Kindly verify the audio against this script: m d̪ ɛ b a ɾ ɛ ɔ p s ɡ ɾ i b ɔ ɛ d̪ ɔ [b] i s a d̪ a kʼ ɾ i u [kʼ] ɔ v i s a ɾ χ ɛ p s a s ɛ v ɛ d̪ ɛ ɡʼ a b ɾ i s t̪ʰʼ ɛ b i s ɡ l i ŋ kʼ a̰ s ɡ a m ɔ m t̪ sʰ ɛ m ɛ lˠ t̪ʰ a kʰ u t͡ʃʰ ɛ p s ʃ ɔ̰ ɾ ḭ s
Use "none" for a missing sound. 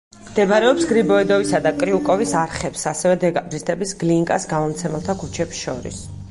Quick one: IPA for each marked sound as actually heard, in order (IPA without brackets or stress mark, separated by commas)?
v, kʼ